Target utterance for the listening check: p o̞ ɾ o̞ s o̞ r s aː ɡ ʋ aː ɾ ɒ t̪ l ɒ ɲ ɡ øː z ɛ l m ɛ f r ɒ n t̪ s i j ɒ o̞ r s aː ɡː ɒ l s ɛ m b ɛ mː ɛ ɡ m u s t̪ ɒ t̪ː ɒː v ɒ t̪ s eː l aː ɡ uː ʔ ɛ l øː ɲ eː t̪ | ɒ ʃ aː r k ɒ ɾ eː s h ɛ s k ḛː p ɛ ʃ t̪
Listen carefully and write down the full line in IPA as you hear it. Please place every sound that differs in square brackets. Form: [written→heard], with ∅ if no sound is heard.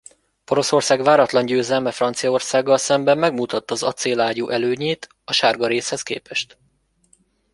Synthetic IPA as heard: p o̞ ɾ o̞ s o̞ r s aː ɡ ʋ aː ɾ ɒ t̪ l ɒ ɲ [ɡ→ɟ] øː z ɛ l m ɛ f r ɒ n t̪ s i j ɒ o̞ r s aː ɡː ɒ l s ɛ m b ɛ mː ɛ ɡ m u [s→∅] t̪ ɒ t̪ː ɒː [v→z] ɒ t̪ s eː l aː [ɡ→ɟ] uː ʔ ɛ l øː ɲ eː t̪ | ɒ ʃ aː r [k→ɡ] ɒ ɾ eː s h ɛ s k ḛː p ɛ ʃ t̪